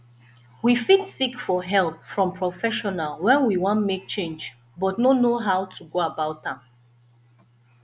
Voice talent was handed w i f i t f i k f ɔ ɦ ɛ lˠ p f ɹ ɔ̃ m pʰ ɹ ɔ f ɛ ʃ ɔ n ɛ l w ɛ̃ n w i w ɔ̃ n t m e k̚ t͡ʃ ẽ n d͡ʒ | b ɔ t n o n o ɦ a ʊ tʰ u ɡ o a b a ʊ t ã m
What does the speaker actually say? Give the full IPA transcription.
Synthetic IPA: w i f i t s i k f ɔ ɦ ɛ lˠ p f ɹ ɔ̃ m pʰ ɹ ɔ f ɛ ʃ ɔ n a l w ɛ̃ n w i w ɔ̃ n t m e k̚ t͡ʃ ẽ n d͡ʒ | b ɔ t n o n o ɦ a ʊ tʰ u ɡ o a b a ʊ t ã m